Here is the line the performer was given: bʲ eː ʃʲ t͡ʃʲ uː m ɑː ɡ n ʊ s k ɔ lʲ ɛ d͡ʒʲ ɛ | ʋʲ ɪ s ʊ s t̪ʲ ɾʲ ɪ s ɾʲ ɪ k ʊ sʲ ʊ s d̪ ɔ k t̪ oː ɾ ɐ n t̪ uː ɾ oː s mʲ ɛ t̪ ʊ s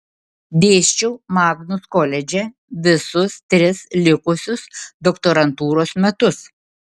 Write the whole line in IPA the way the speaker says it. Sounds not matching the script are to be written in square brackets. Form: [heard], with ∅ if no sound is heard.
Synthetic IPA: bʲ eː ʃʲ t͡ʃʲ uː m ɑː ɡ n ʊ s k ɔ lʲ ɛ d͡ʒʲ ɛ | ʋʲ ɪ s ʊ s t̪ʲ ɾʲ ɪ s [lʲ] ɪ k ʊ sʲ ʊ s d̪ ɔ k t̪ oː ɾ ɐ n t̪ uː ɾ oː s mʲ ɛ t̪ ʊ s